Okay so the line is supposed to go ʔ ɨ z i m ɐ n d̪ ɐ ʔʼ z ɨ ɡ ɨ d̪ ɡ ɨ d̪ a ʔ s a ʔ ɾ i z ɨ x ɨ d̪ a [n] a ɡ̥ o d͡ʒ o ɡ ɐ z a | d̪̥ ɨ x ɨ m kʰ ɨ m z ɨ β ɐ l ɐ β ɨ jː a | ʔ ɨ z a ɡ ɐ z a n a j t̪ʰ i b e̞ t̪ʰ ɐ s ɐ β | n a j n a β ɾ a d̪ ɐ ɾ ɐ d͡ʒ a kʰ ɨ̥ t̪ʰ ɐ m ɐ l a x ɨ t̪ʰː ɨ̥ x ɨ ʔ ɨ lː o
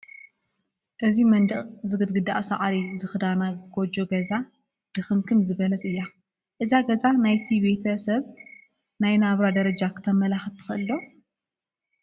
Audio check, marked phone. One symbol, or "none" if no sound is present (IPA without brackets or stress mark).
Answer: n